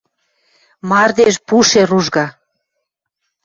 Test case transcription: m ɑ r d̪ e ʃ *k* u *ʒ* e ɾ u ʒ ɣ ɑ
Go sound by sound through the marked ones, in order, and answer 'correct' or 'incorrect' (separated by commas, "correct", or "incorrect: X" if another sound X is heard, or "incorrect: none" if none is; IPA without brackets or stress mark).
incorrect: p, incorrect: ʃ